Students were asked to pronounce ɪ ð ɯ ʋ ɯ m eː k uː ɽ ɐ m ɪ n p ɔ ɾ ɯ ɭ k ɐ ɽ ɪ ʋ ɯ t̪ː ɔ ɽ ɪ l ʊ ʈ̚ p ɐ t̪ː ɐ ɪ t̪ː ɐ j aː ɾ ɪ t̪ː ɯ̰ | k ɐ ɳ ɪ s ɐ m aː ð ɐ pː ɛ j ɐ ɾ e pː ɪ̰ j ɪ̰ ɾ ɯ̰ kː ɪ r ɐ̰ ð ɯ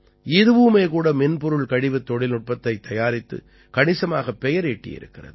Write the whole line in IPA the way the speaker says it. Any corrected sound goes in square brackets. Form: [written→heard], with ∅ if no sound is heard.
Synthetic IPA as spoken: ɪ ð ɯ ʋ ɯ m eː k uː ɽ ɐ m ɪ n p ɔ ɾ ɯ ɭ k ɐ ɽ ɪ ʋ ɯ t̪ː ɔ ɽ ɪ l ʊ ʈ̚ p ɐ t̪ː ɐ ɪ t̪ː ɐ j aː ɾ ɪ t̪ː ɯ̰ | k ɐ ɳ ɪ s ɐ m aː [ð→ɣ] ɐ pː ɛ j ɐ ɾ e [pː→ʈː] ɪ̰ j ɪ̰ ɾ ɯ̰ kː ɪ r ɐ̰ ð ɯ